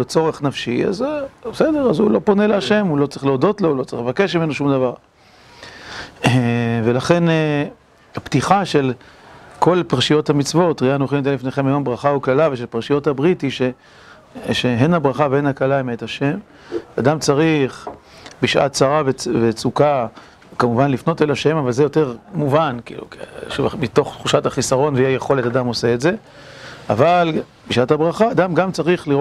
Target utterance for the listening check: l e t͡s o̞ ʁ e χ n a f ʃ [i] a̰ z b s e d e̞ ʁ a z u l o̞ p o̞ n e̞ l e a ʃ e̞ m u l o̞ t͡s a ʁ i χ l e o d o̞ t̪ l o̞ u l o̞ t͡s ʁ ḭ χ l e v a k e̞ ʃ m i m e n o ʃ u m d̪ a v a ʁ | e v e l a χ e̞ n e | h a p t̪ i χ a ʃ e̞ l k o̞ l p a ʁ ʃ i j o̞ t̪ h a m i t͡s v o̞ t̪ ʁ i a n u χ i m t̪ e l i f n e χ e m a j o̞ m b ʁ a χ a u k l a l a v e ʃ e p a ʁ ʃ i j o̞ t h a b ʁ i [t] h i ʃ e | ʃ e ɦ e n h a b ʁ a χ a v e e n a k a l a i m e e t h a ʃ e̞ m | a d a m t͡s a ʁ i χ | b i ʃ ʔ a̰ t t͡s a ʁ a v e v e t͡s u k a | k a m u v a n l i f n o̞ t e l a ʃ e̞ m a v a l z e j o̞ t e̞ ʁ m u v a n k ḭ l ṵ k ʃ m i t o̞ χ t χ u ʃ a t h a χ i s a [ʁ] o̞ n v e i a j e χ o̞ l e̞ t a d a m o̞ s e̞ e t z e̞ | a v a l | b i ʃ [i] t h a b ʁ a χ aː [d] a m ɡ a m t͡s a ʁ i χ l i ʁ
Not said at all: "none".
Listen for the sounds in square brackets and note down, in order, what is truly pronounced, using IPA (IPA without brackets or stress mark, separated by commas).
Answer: i, t, ʁ, a, d